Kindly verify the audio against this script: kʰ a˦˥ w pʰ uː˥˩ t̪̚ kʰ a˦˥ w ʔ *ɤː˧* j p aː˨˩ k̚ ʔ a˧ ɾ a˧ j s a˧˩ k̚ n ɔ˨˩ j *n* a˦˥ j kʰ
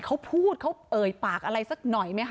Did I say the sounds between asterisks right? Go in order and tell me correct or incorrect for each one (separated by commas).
incorrect, incorrect